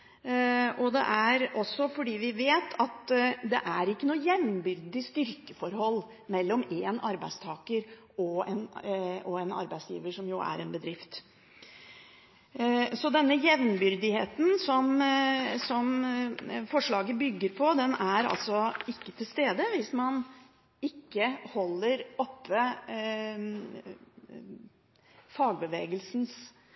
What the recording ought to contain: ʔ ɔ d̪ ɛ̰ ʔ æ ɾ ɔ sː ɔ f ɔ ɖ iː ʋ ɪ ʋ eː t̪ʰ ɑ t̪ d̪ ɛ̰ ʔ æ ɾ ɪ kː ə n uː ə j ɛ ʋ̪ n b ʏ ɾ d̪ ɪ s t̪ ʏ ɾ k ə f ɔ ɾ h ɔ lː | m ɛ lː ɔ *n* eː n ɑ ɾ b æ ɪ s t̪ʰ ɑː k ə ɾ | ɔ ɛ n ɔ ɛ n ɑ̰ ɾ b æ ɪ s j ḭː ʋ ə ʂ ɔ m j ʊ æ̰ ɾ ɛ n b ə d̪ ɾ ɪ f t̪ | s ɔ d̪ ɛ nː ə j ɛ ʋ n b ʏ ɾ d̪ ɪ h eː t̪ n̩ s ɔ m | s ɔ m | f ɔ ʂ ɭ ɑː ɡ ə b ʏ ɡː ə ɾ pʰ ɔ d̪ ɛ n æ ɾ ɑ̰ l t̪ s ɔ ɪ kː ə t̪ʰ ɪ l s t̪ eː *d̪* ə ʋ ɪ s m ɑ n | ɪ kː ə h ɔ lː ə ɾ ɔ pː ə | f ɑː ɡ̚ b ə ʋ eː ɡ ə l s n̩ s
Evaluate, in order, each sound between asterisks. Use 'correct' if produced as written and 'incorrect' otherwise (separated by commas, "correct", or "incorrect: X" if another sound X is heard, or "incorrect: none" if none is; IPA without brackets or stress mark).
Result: incorrect: m, correct